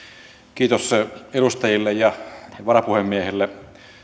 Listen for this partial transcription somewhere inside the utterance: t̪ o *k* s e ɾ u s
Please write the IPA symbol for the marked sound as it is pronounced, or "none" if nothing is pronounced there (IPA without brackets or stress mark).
none